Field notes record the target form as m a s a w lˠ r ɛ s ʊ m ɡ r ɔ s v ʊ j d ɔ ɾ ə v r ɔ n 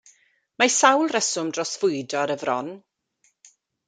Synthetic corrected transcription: m a s a w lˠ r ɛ s ʊ m d r ɔ s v ʊ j d ɔ ɾ ə v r ɔ n